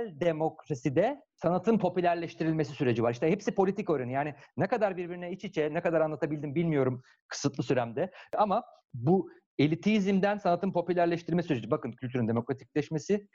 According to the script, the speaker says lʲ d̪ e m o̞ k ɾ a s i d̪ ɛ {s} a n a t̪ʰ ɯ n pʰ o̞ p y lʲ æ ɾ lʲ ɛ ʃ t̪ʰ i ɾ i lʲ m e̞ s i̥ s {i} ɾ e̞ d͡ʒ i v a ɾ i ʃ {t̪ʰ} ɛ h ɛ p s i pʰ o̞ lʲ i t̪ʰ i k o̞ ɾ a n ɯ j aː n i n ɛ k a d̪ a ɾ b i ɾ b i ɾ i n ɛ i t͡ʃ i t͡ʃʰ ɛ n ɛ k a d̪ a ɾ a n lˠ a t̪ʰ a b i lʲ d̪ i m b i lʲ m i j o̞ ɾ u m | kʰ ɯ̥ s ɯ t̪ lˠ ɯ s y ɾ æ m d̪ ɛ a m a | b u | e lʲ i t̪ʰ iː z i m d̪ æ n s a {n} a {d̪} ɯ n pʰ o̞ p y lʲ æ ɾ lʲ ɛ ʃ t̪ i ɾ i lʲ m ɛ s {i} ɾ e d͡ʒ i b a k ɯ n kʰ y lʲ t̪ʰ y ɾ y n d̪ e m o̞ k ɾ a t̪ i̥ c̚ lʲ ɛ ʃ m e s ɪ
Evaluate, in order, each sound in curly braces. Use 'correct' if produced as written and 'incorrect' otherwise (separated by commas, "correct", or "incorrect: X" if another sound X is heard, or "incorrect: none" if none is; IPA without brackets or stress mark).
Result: correct, incorrect: y, incorrect: t̪, correct, incorrect: t̪, incorrect: y